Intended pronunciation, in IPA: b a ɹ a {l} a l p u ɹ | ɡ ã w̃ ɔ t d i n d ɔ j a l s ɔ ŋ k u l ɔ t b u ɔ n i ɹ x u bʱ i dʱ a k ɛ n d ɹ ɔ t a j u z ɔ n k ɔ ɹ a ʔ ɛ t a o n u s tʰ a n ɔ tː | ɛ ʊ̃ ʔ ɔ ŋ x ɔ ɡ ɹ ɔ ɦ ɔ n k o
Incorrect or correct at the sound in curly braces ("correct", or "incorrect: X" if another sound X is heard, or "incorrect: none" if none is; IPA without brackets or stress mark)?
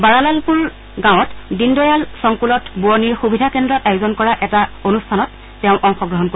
correct